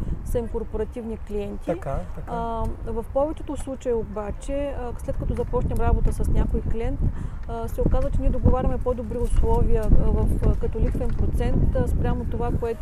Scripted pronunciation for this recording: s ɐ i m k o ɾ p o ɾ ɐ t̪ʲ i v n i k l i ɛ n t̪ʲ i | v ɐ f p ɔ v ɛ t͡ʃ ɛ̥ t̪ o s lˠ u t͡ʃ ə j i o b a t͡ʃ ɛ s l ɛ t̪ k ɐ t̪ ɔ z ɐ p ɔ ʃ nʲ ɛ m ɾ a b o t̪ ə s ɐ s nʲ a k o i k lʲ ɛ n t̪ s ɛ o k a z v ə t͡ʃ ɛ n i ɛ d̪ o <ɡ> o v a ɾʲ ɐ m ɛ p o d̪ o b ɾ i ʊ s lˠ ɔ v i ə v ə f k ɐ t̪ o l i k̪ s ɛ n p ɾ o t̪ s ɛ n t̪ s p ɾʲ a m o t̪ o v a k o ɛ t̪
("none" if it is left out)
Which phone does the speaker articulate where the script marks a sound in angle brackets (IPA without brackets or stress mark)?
ɡ